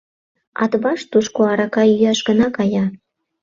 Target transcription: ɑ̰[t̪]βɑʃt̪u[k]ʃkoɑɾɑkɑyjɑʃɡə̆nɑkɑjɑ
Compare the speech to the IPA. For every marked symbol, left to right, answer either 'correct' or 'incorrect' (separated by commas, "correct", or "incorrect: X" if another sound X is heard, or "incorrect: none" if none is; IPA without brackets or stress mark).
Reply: correct, incorrect: none